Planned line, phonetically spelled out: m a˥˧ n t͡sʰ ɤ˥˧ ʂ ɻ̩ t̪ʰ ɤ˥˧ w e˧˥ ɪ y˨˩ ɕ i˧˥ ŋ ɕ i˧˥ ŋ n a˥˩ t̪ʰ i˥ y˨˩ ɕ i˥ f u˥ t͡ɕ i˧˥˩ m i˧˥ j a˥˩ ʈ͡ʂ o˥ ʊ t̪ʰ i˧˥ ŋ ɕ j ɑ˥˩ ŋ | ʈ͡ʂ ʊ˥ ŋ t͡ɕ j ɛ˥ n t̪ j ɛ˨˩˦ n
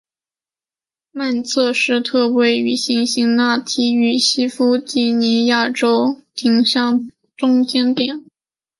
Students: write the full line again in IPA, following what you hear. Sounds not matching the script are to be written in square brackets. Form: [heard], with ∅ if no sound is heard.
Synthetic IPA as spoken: m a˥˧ n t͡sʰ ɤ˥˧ ʂ ɻ̩ t̪ʰ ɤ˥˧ w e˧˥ ɪ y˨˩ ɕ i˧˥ ŋ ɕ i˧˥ ŋ n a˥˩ t̪ʰ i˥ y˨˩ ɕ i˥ f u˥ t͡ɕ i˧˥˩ [n] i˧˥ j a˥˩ ʈ͡ʂ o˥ ʊ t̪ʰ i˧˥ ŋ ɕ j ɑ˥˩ ŋ | ʈ͡ʂ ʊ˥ ŋ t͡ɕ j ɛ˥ n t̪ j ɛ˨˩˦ n